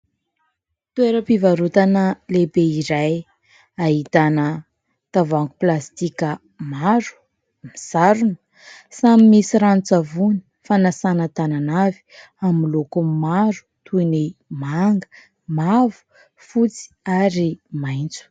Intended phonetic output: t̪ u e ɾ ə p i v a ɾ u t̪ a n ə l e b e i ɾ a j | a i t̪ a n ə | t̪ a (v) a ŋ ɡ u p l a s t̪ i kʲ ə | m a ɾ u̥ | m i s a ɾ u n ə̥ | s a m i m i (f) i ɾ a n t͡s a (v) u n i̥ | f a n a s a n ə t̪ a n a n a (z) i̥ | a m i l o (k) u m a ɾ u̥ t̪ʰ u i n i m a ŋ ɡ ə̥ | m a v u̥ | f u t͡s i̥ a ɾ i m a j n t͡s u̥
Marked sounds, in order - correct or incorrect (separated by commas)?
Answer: correct, incorrect, correct, incorrect, correct